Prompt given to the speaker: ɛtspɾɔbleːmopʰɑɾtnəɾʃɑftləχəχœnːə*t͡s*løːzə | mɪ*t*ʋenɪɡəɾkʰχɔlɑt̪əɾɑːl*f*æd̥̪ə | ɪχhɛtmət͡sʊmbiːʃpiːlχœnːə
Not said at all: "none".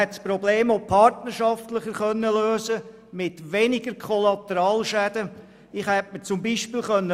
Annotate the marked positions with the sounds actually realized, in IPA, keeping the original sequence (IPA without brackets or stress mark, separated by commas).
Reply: none, t, ʃ